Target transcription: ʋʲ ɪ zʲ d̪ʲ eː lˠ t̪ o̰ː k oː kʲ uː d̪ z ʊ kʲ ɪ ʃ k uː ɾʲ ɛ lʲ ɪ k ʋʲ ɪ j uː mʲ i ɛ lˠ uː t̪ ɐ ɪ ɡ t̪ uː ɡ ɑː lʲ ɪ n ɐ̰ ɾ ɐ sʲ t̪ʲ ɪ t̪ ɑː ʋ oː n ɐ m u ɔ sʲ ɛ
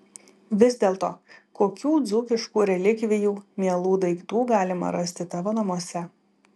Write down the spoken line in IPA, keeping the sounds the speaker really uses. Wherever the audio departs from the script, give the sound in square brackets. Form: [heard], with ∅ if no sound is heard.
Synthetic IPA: ʋʲ ɪ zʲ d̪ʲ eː lˠ t̪ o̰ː k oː kʲ uː d̪ z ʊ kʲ ɪ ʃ k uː ɾʲ ɛ lʲ ɪ k ʋʲ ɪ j uː mʲ i ɛ lˠ uː [d̪] ɐ ɪ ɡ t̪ uː ɡ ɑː lʲ ɪ [m] ɐ̰ ɾ ɐ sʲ t̪ʲ ɪ t̪ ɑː ʋ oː n ɐ m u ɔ sʲ ɛ